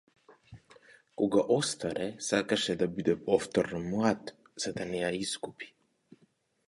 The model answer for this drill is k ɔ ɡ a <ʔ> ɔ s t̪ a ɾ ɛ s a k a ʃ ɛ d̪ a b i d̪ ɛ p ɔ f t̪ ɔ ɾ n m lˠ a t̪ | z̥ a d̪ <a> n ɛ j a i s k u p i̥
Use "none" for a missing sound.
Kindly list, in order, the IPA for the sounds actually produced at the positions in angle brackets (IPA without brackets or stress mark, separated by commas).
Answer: ʔ, a